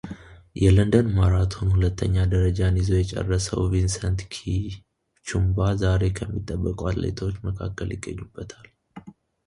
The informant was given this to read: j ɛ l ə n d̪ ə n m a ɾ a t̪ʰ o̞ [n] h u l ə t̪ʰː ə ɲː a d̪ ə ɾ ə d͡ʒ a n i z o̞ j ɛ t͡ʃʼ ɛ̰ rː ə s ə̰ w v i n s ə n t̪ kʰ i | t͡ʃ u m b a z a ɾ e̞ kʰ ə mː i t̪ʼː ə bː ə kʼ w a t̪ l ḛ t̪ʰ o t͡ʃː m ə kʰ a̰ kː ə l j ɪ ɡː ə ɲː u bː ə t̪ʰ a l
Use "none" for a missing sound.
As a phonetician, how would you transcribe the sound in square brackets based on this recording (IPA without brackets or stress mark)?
n